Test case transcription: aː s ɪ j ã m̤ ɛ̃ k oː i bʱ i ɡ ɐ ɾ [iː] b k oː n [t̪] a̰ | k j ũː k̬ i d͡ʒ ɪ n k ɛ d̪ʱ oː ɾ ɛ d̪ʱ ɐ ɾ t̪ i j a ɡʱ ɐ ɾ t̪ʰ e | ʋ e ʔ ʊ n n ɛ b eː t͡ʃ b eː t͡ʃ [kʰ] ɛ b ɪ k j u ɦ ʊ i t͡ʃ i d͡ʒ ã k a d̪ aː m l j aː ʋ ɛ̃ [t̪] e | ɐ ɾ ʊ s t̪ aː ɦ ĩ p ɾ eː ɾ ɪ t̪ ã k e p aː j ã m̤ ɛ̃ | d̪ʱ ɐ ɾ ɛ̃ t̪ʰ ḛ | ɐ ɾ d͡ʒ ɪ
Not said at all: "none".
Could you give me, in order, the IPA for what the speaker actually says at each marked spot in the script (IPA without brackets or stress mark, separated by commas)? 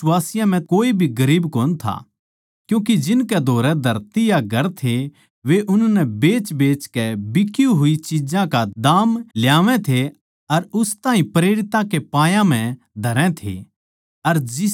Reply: iː, t̪ʰ, k, t̪ʰ